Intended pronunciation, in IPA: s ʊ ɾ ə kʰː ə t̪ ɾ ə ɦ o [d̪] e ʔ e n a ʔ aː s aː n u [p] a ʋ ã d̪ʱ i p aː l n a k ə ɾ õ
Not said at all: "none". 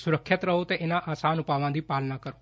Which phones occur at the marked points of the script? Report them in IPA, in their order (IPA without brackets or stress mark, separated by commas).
t̪, p